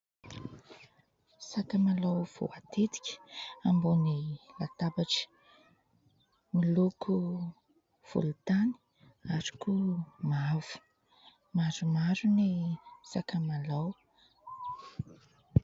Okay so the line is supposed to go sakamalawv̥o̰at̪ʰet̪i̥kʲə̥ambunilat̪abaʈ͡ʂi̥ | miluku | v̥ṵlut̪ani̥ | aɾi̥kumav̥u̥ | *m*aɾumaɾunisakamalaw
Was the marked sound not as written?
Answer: no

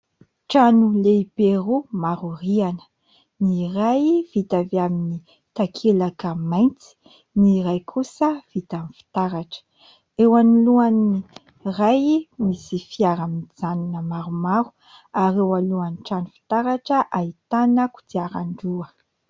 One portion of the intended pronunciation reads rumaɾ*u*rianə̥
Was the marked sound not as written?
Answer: no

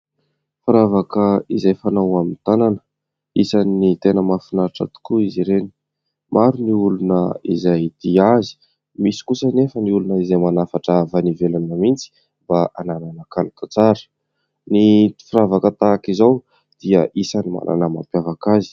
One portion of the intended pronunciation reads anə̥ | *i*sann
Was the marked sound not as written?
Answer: no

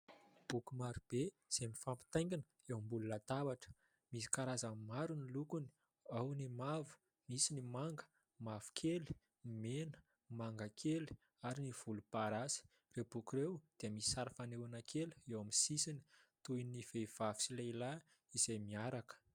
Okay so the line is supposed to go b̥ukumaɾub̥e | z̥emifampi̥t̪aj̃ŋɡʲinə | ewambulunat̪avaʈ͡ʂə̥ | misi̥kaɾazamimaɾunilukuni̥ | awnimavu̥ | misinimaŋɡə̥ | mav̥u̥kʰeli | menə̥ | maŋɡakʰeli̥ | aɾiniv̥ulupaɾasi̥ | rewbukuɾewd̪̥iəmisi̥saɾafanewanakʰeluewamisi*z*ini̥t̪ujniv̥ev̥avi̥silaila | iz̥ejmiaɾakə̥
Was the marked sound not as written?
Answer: yes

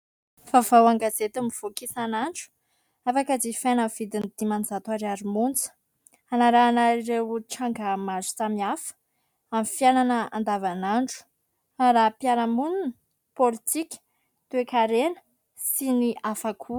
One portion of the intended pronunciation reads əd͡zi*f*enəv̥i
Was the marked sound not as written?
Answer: no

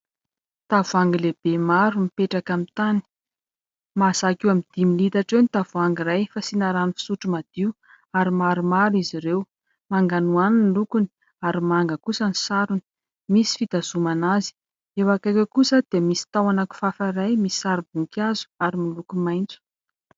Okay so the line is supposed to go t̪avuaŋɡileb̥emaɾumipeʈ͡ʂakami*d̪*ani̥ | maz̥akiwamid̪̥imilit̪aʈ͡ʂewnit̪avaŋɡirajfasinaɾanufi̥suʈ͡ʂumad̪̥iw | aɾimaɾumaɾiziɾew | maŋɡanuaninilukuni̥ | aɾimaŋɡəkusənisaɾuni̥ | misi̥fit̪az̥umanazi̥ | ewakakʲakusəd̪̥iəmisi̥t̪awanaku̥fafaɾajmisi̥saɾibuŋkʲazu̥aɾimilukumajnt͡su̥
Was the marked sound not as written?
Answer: yes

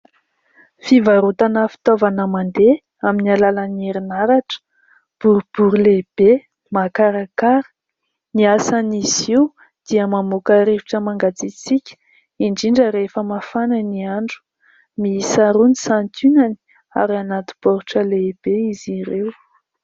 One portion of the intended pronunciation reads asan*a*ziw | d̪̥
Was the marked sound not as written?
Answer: yes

